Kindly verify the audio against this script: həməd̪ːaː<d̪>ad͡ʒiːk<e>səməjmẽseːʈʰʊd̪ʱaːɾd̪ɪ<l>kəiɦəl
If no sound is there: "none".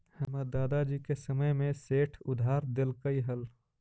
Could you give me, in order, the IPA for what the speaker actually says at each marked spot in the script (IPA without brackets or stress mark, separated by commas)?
d̪, e, l